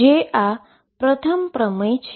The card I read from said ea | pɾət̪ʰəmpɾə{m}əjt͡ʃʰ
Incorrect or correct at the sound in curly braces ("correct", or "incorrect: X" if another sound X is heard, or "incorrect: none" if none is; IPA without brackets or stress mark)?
correct